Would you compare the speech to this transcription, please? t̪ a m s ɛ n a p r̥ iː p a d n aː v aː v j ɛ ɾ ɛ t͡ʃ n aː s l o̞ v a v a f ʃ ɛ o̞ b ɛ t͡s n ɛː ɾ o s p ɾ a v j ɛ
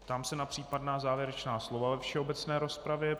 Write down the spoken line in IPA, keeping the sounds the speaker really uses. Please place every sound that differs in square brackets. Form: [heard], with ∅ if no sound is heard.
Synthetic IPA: t̪ a m s ɛ n a p r̥ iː p a d n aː [z] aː v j ɛ ɾ ɛ t͡ʃ n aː s l o̞ v a v [ɛ] f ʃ ɛ o̞ b ɛ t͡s n ɛː ɾ o s p ɾ a v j ɛ